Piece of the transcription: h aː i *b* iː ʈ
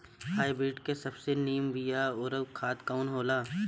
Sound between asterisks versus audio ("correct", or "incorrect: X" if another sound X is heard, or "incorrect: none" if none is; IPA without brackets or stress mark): correct